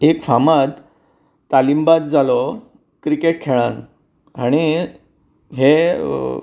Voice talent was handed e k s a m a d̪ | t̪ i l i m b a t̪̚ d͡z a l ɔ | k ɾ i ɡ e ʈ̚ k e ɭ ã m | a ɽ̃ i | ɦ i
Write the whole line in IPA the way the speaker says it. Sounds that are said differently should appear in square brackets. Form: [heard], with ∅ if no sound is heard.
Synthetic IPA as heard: e k [f] a m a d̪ | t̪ [a] l i m b a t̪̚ d͡z a l ɔ | k ɾ i [k] e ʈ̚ [kʰ] e ɭ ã [n] | a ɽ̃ i | ɦ [e]